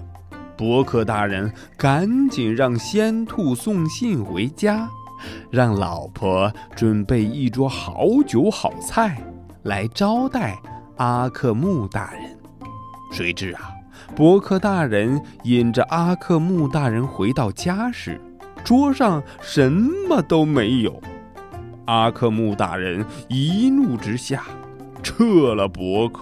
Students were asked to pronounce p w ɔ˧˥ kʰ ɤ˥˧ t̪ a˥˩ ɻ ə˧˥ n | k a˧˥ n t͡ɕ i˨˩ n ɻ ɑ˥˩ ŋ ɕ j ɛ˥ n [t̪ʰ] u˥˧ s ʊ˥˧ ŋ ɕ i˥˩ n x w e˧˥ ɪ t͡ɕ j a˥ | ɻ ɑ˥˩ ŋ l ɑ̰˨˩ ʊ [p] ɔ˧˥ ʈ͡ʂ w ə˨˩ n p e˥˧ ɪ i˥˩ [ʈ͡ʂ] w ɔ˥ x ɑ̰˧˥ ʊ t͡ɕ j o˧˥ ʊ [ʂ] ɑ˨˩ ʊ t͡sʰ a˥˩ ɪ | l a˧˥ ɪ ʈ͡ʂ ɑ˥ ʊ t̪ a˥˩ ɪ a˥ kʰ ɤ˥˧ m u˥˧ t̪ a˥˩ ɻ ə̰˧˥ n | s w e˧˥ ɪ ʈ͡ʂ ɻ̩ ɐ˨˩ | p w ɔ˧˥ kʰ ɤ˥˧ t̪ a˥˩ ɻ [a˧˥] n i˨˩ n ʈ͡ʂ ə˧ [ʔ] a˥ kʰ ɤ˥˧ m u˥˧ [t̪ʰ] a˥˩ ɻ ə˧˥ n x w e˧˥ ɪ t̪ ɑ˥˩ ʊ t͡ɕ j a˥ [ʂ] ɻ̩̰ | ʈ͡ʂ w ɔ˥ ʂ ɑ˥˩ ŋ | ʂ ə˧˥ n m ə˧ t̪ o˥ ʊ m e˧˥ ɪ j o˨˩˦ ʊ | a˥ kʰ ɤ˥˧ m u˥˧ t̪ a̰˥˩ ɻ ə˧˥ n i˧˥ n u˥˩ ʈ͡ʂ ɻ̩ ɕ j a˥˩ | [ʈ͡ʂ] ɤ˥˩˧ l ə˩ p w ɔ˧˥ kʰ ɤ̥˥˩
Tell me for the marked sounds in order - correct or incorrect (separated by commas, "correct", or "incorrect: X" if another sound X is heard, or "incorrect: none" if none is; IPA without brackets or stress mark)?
correct, incorrect: pʰ, correct, incorrect: x, incorrect: ə˧˥, correct, incorrect: t̪, correct, incorrect: ʈ͡ʂʰ